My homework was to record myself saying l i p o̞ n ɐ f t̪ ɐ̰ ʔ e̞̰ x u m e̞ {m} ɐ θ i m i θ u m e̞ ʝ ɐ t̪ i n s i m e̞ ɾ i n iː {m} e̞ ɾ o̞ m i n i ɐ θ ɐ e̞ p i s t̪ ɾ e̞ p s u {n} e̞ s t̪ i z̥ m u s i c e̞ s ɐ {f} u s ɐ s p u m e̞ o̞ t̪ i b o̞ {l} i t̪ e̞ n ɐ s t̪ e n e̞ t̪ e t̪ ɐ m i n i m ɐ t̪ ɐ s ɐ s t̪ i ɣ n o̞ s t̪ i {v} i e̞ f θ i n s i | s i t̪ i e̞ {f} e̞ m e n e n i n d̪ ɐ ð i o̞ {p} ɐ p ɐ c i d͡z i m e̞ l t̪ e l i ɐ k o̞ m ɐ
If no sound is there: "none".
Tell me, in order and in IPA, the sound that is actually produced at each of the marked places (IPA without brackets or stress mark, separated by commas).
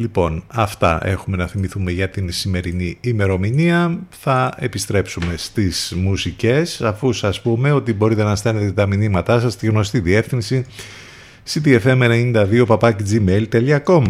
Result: n, m, m, f, ɾ, ð, f, p